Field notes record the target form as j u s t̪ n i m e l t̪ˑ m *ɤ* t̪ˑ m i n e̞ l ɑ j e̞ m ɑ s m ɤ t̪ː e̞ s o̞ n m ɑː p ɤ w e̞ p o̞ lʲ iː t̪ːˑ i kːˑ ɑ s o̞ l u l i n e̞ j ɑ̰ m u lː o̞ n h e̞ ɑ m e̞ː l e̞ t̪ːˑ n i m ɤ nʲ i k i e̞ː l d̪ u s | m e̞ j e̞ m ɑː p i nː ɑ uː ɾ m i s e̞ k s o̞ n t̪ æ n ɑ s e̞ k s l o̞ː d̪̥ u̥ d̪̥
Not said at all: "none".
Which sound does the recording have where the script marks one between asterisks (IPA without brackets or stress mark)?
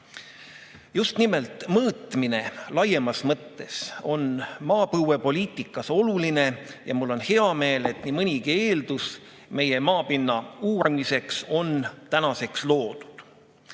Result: ɤː